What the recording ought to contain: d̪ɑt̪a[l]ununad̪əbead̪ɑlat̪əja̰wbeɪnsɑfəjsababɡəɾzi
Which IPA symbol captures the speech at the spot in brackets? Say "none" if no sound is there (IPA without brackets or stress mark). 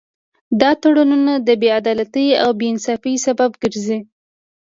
ɽ